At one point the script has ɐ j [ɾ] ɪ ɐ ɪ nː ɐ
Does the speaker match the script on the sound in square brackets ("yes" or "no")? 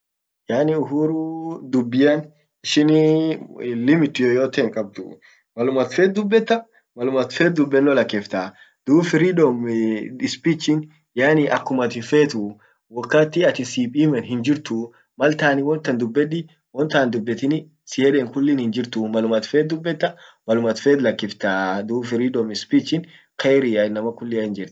yes